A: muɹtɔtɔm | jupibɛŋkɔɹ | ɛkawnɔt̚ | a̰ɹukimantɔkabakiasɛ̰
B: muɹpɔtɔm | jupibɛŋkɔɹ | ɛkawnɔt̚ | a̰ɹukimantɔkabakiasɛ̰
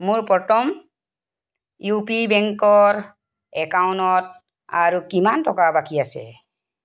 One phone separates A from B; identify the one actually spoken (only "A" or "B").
B